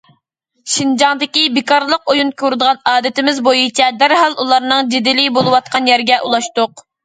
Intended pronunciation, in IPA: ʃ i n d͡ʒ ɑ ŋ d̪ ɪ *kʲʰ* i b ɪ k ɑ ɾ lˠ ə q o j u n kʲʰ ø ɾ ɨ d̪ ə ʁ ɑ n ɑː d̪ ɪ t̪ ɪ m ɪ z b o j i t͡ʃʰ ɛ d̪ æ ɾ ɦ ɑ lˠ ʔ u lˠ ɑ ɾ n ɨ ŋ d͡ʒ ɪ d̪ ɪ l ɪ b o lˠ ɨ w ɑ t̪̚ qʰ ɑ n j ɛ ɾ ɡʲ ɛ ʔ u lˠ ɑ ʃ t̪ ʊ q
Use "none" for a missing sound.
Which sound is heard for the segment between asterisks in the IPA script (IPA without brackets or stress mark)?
kʲ